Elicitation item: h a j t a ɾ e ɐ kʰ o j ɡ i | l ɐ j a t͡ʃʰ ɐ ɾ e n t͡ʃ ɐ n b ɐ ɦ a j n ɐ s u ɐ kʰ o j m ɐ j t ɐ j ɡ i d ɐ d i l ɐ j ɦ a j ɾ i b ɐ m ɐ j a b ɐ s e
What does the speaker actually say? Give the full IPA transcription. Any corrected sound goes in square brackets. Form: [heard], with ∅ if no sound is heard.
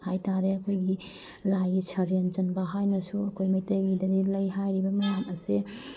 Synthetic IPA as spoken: h a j t a ɾ e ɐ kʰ o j ɡ i | l [a] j [i] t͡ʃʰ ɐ ɾ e n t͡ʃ ɐ n b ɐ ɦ a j n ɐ s u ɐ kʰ o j m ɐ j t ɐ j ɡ i d ɐ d i l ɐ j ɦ a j ɾ i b ɐ m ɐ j a [m] ɐ s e